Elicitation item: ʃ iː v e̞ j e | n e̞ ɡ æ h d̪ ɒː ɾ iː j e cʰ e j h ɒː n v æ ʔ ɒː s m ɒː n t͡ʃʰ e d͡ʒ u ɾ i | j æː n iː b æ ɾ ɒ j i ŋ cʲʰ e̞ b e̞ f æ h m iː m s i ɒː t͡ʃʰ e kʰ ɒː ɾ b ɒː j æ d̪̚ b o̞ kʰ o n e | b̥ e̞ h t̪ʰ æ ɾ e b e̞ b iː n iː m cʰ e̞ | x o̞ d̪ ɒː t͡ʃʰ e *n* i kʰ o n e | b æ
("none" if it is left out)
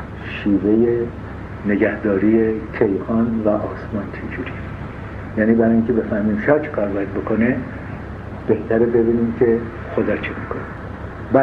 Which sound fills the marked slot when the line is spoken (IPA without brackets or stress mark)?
m